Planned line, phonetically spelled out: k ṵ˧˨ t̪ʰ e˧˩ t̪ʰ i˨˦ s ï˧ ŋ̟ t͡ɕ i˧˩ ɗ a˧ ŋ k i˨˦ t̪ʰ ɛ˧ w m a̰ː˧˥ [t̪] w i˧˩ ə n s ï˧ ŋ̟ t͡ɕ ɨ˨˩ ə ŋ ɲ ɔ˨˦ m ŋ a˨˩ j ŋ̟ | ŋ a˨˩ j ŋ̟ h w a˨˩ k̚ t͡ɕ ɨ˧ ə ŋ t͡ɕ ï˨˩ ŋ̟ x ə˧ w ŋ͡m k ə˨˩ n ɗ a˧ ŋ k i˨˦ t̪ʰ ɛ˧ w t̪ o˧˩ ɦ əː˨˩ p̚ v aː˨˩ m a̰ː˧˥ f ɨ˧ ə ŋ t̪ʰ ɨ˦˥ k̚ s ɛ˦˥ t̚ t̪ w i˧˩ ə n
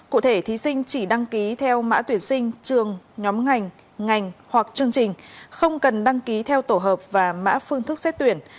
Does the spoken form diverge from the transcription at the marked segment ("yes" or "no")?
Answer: no